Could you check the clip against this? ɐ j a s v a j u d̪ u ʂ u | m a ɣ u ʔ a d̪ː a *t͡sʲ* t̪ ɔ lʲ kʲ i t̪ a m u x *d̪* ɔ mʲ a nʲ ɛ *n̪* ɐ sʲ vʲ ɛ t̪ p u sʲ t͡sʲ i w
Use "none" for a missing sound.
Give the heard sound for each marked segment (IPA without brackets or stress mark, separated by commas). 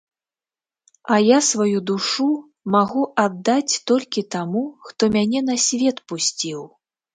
t͡sʲ, t̪, n̪